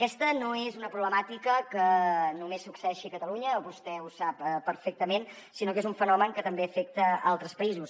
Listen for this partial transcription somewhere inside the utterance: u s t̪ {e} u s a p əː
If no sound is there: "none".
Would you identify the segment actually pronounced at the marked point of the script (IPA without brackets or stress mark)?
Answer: ɛ